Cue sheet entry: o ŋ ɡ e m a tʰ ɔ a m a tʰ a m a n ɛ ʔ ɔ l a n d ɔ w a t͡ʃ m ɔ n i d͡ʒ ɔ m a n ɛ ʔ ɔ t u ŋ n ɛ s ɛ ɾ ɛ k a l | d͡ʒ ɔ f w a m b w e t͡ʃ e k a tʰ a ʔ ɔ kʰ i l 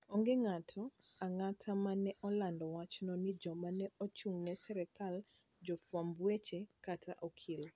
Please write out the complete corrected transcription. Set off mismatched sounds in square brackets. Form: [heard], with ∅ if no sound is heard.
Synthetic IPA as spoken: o ŋ ɡ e [ŋ] a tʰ ɔ a [ŋ] a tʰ a m a n ɛ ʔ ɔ l a n d ɔ w a t͡ʃ [n] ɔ n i d͡ʒ ɔ m a n ɛ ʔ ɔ [t͡ʃ] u ŋ n ɛ s ɛ ɾ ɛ k a l | d͡ʒ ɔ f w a m b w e t͡ʃ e k a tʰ a ʔ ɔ kʰ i l